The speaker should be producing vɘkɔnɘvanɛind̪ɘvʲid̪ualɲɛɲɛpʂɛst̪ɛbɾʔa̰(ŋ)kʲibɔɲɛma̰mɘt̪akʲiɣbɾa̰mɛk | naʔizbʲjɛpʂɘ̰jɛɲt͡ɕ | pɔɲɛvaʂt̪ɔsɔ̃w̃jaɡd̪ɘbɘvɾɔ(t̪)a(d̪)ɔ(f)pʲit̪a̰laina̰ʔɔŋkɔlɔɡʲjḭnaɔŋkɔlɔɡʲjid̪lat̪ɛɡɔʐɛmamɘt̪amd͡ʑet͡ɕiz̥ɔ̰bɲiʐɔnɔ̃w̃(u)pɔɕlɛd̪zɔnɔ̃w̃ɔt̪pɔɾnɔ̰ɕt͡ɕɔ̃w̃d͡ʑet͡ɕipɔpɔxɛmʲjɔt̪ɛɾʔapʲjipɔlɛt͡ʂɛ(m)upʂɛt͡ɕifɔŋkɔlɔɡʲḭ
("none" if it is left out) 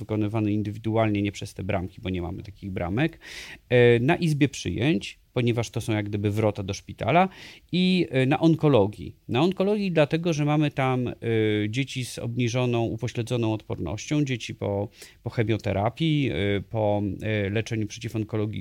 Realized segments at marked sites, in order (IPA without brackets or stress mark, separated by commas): m, t̪, d̪, ʂ, u, ɲ